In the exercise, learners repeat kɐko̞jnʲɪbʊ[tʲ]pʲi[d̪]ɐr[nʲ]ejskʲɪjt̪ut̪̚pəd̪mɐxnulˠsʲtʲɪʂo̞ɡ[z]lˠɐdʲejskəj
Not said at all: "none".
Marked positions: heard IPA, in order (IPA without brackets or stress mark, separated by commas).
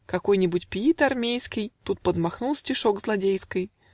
tʲ, t̪, mʲ, z